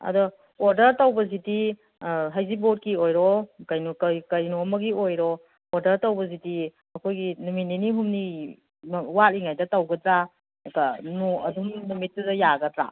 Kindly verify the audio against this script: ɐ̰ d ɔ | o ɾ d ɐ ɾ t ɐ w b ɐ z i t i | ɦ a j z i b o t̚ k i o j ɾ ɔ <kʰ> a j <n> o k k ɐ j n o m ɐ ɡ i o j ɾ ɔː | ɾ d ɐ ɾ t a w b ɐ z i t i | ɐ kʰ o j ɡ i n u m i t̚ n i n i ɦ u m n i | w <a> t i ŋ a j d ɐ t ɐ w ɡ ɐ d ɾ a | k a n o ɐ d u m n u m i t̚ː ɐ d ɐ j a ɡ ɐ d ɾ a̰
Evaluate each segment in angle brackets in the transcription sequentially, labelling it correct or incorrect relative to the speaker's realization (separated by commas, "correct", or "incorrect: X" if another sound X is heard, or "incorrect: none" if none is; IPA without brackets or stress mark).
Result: incorrect: k, correct, correct